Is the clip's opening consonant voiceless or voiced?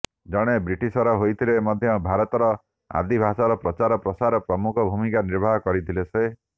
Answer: voiced